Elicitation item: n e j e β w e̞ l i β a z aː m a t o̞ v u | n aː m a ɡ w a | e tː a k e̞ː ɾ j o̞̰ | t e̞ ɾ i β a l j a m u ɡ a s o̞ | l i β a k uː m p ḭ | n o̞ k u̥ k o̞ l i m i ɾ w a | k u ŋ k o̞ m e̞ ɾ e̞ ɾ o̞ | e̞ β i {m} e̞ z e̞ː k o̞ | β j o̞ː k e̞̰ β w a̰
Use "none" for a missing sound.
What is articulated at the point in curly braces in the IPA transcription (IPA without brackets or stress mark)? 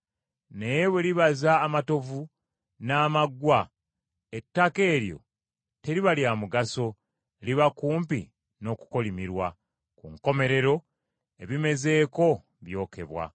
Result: m